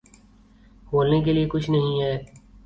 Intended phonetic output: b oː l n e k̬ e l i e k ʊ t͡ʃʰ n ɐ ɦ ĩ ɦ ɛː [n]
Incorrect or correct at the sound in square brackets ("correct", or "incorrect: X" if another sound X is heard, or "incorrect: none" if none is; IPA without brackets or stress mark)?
incorrect: none